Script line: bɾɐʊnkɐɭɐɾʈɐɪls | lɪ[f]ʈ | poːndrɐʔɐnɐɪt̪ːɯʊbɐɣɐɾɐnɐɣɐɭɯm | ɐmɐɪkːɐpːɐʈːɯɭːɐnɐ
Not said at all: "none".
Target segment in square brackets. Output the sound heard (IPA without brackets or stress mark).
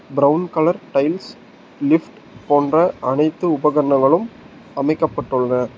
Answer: f